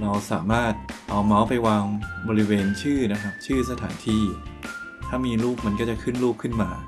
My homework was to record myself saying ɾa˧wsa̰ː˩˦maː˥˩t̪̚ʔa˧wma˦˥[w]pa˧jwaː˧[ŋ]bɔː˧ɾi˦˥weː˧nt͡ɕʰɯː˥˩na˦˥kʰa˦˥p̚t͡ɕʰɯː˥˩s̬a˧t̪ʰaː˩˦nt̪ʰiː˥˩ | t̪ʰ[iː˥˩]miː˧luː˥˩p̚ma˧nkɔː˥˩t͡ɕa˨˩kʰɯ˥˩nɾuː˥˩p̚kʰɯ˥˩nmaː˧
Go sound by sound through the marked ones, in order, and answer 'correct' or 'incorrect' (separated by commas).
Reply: correct, correct, incorrect